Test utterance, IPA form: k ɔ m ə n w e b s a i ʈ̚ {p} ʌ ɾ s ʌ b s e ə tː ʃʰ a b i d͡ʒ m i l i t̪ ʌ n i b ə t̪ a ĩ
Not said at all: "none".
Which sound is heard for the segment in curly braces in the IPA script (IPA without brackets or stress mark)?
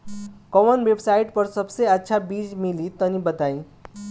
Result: p